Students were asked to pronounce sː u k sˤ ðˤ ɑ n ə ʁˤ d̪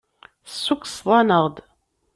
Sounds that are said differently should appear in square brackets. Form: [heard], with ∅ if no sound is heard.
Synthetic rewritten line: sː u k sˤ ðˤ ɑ n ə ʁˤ d̪